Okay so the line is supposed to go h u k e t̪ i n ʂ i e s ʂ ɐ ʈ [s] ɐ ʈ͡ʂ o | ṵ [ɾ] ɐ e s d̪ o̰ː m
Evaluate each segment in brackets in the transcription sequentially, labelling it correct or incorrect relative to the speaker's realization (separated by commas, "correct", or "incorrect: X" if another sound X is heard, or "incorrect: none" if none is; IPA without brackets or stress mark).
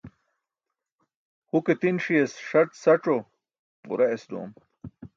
correct, correct